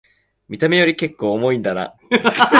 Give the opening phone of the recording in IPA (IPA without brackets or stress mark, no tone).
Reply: mʲ